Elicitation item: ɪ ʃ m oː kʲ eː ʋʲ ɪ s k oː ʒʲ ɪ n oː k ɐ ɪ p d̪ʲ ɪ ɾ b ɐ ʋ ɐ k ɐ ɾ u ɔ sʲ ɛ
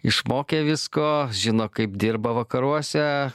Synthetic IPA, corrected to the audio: ɪ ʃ m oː kʲ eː ʋʲ ɪ s k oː ʒʲ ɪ n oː k ɐ ɪ p d̪ʲ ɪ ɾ b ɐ ʋ ɐ k ɐ ɾ u ɔ sʲ ɛ